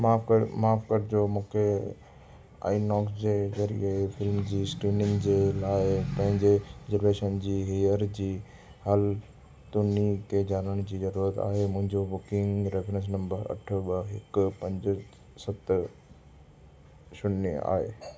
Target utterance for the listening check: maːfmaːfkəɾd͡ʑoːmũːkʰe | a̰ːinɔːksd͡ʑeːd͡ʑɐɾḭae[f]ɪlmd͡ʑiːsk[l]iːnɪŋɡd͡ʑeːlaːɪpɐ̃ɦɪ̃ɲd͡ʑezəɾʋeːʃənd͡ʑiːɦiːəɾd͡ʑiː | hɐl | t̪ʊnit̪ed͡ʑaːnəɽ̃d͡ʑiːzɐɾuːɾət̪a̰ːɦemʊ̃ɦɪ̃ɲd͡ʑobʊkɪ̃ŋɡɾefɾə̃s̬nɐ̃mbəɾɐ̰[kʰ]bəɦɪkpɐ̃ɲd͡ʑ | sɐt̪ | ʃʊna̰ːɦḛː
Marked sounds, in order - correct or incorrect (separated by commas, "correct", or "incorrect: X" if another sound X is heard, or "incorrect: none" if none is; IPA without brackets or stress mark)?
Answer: correct, incorrect: ɾ, incorrect: ʈʰ